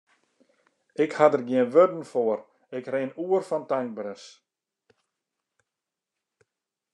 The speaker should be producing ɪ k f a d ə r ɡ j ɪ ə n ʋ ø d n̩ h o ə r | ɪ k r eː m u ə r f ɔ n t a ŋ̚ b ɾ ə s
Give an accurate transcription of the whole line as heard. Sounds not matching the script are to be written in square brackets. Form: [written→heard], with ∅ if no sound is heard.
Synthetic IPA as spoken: ɪ k [f→h] a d ə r ɡ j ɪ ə n ʋ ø d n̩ [h→f] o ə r | ɪ k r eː [m→n] u ə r f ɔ n t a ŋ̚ b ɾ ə s